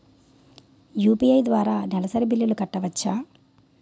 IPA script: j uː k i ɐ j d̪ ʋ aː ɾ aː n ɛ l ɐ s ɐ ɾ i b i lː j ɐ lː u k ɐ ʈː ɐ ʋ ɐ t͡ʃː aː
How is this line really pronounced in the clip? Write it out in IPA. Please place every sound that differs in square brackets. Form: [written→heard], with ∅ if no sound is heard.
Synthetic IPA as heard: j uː [k→p] i ɐ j d̪ ʋ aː ɾ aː n ɛ l ɐ s ɐ ɾ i b i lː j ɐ [lː→l] u k ɐ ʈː ɐ ʋ ɐ t͡ʃː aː